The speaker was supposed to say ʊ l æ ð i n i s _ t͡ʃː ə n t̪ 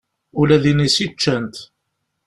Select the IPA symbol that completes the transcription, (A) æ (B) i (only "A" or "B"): B